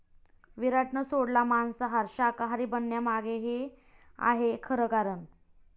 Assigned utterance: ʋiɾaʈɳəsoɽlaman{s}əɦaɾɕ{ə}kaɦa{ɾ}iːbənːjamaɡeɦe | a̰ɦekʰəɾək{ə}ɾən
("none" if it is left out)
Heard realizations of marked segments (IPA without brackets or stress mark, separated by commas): s, a, ɾ, a